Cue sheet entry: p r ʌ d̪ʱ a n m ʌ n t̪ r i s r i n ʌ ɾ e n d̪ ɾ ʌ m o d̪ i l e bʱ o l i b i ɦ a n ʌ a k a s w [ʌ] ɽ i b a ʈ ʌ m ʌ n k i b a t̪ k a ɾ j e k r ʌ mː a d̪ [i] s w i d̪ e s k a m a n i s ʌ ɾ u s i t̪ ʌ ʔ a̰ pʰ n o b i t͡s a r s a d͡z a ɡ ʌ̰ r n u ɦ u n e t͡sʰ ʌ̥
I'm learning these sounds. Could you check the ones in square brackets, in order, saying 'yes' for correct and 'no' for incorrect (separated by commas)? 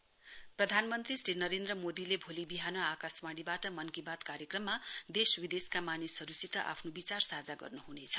no, no